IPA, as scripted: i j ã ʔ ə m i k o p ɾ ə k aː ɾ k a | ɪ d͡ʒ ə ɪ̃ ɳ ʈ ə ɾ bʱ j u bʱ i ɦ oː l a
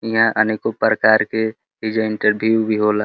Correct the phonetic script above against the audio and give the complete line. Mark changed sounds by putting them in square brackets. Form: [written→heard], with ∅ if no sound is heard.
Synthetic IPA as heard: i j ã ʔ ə [m→n] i k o p ɾ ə k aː ɾ k [a→e] | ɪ d͡ʒ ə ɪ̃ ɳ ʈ ə ɾ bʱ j u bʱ i ɦ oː l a